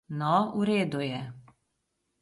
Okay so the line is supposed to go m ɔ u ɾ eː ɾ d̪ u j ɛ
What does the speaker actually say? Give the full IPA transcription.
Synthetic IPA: n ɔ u ɾ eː d̪ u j ɛ